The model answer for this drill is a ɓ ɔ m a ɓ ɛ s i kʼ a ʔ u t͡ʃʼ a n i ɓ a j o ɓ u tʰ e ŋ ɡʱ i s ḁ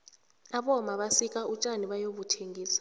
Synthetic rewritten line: a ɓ ɔ m a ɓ a s i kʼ a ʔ u t͡ʃʼ a n i ɓ a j o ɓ u tʰ e ŋ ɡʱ iː s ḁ